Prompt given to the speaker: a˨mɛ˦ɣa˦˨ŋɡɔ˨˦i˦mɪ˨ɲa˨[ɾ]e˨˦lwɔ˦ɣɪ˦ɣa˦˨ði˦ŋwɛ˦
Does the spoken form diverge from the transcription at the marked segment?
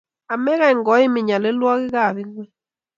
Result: yes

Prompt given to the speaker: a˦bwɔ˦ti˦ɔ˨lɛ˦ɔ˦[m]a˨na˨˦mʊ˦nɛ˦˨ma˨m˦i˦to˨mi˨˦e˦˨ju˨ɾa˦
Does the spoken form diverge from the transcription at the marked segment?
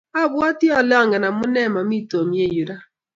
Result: yes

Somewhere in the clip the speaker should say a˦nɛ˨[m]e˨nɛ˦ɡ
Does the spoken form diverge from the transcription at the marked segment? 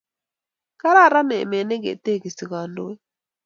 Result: no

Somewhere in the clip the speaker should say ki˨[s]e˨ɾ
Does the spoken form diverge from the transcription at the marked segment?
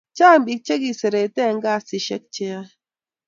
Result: no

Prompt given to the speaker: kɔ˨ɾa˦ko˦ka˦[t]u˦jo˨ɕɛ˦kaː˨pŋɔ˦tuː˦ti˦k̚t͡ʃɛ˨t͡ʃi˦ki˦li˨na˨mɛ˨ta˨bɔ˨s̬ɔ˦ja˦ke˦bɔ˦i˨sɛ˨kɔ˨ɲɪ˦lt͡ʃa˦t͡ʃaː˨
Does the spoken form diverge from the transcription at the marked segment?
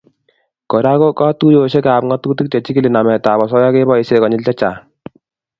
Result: no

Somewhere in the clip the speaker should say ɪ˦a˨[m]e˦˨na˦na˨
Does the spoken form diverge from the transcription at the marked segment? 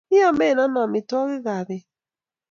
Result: no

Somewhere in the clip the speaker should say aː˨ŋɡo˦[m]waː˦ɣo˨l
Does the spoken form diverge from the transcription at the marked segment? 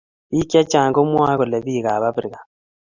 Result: no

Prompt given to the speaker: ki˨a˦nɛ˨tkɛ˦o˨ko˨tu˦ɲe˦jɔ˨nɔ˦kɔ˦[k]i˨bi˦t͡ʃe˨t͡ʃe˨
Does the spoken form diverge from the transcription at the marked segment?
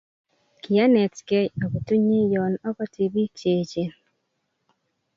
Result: yes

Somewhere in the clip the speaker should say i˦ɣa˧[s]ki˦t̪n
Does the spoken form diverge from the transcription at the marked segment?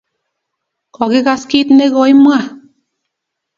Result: no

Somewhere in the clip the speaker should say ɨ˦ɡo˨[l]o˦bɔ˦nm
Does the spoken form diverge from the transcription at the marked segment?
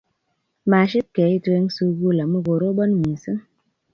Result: yes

